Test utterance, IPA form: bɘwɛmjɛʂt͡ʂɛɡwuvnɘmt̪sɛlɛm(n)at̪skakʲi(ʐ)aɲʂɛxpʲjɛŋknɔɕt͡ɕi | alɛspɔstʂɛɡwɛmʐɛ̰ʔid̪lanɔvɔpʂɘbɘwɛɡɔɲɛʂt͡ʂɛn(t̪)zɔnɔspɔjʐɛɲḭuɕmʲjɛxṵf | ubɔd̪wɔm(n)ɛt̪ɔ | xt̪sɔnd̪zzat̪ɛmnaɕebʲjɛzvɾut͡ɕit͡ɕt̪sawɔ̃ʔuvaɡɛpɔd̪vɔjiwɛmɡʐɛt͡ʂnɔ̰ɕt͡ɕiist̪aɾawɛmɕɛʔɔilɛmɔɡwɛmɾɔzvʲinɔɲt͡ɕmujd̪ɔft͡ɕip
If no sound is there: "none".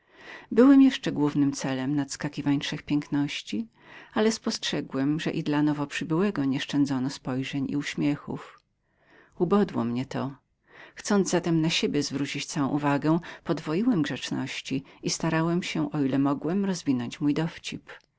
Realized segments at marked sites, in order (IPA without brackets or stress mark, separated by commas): n, v, d̪, ɲ